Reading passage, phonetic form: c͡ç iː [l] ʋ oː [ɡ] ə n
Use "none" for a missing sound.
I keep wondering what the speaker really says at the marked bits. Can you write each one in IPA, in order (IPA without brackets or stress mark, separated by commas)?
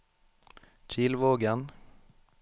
l, ɡ